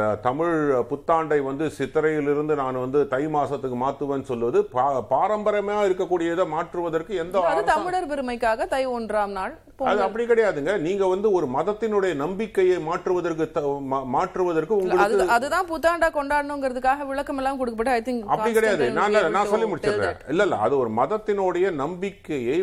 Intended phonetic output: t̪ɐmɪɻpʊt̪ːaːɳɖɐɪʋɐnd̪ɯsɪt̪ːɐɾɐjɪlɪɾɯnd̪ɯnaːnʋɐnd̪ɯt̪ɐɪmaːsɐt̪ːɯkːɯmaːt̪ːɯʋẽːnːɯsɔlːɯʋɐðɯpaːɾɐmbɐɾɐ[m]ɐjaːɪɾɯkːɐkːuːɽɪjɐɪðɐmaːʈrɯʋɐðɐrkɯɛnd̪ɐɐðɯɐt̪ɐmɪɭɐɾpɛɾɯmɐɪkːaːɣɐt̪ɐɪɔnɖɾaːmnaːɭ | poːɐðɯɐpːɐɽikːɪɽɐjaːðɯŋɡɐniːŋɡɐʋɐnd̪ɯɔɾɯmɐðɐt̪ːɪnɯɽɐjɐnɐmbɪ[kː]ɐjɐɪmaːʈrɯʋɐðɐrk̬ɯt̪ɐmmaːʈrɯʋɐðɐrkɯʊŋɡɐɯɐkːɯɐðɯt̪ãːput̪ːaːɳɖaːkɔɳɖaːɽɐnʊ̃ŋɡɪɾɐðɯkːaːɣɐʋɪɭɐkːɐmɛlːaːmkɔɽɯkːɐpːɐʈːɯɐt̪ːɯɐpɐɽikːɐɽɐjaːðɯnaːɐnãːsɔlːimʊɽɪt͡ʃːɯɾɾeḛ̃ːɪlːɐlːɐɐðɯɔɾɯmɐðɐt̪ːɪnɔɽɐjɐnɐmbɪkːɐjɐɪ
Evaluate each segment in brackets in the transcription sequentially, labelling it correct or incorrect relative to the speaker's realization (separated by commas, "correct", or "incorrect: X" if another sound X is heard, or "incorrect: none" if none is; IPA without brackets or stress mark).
correct, correct